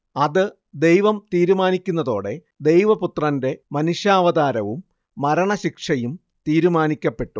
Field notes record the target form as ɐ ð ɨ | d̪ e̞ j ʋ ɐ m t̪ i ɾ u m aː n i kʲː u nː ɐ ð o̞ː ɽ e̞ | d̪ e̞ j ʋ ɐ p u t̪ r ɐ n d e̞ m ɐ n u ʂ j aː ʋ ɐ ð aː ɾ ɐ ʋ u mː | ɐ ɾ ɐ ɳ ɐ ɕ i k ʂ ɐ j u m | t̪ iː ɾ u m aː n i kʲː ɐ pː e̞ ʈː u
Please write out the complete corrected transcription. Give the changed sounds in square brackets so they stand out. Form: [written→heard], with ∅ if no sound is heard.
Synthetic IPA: ɐ ð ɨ | d̪ e̞ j ʋ ɐ m t̪ [i→iː] ɾ u m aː n i kʲː u nː ɐ ð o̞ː ɽ e̞ | d̪ e̞ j ʋ ɐ p u t̪ r ɐ n d e̞ m ɐ n u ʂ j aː ʋ ɐ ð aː ɾ ɐ ʋ u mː | ɐ ɾ ɐ ɳ ɐ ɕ i k ʂ ɐ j u m | t̪ iː ɾ u m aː n i kʲː ɐ pː e̞ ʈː u